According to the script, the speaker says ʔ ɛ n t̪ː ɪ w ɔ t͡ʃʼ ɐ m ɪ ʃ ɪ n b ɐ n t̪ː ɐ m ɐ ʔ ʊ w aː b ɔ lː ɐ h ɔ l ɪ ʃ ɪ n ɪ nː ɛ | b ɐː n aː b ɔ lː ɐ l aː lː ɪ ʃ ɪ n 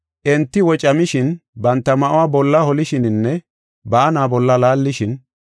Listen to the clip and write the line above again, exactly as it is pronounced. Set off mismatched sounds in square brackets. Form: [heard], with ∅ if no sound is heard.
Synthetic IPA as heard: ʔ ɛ n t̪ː ɪ w ɔ t͡ʃʼ ɐ m ɪ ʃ ɪ n b ɐ n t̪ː ɐ m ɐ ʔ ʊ w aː b ɔ lː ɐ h ɔ l ɪ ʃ ɪ n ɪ nː ɛ | b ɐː n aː b ɔ lː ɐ l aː lː ɪ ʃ ɪ n